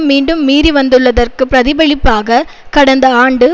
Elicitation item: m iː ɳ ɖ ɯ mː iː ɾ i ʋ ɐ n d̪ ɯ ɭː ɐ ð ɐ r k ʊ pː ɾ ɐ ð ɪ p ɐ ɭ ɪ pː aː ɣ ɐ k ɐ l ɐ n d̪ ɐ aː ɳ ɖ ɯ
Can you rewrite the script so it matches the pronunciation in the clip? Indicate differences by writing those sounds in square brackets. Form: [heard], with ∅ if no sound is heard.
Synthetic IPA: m iː ɳ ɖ ɯ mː iː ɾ i ʋ ɐ n d̪ ɯ ɭː ɐ ð ɐ r k [ɯ] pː ɾ ɐ ð ɪ [b] ɐ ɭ ɪ pː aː ɣ ɐ k ɐ [ɽ] ɐ n d̪ ɐ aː ɳ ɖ ɯ